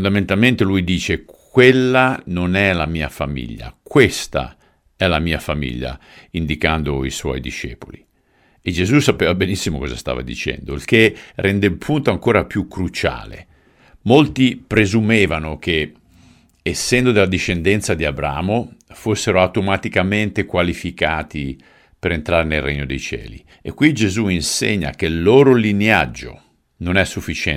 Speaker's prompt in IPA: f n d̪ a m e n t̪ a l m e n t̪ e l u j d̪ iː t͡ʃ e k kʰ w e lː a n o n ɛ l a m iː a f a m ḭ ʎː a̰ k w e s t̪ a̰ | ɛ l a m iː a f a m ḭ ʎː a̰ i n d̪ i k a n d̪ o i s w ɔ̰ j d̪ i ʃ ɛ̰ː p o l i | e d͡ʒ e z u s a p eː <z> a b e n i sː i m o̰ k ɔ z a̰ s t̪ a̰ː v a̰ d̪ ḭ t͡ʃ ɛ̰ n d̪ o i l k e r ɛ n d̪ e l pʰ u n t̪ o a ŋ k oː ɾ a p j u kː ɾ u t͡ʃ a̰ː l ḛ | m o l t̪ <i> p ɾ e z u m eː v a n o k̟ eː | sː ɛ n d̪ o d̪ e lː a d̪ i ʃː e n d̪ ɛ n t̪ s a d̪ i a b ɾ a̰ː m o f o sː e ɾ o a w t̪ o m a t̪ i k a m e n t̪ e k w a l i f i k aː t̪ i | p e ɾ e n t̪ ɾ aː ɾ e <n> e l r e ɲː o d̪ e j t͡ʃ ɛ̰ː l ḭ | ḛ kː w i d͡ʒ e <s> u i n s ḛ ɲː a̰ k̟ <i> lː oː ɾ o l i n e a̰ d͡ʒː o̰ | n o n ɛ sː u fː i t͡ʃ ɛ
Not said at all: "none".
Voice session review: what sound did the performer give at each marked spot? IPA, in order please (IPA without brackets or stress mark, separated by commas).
v, i, n, z, e